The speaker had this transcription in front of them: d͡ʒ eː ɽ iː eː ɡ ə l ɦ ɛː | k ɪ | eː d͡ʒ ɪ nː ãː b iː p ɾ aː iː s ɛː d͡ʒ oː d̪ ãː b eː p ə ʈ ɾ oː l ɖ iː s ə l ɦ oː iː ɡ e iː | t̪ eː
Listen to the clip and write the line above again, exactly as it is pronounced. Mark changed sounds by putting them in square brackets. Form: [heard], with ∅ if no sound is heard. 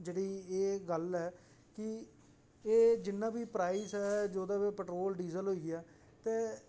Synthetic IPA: d͡ʒ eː ɽ iː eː ɡ ə l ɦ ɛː | k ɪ | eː d͡ʒ ɪ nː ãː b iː p ɾ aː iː s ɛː d͡ʒ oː d̪ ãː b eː p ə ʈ ɾ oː l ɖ iː [z] ə l ɦ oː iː ɡ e [aː] | t̪ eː